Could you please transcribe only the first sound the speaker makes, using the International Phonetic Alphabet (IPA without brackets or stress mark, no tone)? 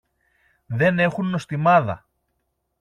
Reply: ð